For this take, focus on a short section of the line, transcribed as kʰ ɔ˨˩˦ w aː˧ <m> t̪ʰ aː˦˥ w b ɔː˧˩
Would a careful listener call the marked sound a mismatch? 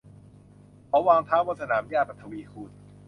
yes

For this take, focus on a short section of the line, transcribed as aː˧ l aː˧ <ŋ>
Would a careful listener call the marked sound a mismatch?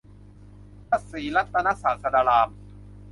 yes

